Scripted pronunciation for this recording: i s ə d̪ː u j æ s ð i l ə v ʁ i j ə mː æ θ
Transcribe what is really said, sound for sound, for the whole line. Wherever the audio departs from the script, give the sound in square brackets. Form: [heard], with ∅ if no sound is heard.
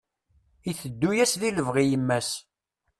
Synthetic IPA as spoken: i [θ] ə d̪ː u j æ s ð i l ə v ʁ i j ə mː æ [s]